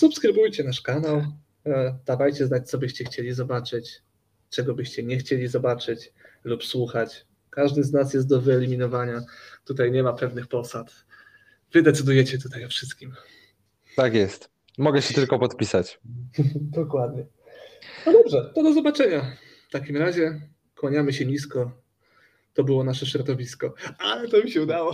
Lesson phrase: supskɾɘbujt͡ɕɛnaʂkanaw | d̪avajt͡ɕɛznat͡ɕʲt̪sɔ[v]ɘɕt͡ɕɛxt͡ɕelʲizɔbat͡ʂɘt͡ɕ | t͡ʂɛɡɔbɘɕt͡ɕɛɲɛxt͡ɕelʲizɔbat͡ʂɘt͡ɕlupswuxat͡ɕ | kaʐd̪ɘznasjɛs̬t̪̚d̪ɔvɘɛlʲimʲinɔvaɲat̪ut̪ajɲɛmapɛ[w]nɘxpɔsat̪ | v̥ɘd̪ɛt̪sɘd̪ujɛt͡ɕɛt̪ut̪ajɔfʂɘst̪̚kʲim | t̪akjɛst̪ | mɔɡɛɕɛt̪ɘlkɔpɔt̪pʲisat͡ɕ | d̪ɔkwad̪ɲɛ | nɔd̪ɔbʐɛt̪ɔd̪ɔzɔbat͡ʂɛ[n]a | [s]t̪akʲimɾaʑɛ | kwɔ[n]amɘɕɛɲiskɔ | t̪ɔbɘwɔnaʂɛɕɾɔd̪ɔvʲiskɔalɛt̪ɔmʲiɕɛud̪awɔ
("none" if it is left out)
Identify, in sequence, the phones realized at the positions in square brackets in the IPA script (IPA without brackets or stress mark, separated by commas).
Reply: b, v, ɲ, f, ɲ